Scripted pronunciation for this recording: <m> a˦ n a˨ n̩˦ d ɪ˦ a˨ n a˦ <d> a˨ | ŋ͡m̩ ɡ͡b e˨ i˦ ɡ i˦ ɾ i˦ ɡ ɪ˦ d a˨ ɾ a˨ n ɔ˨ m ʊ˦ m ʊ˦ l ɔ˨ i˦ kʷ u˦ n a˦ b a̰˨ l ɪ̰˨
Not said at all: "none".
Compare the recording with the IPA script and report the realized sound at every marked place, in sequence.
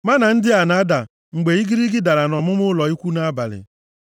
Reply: m, d

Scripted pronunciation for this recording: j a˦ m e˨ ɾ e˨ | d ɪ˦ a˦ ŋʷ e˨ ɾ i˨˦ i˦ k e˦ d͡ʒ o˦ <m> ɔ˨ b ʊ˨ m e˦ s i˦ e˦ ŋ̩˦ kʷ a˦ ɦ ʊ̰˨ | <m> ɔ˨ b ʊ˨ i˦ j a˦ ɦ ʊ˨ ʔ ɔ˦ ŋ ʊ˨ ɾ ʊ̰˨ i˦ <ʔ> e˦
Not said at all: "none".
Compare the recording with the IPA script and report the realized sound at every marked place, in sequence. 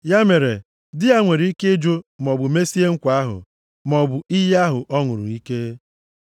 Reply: m, m, k

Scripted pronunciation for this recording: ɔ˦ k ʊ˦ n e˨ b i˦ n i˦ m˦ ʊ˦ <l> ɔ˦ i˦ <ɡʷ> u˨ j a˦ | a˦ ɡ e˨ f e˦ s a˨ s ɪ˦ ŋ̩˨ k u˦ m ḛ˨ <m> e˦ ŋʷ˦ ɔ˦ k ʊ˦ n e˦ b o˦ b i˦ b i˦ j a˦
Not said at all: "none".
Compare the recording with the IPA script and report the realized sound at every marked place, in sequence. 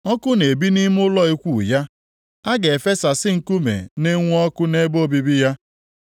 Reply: l, kʷ, n

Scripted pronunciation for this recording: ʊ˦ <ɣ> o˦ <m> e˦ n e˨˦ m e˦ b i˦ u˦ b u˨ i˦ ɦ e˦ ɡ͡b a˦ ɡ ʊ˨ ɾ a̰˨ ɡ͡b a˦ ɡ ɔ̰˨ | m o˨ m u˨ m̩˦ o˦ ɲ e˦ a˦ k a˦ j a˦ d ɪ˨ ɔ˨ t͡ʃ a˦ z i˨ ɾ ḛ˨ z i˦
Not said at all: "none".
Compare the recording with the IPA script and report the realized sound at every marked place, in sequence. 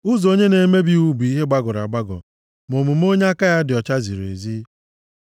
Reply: z, ɲ

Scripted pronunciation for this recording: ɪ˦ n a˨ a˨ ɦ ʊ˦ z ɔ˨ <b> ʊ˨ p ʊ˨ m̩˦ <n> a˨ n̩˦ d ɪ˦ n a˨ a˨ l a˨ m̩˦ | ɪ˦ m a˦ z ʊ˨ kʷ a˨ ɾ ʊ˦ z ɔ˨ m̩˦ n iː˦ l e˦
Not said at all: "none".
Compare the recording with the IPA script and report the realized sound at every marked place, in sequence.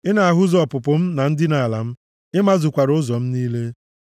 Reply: p, n

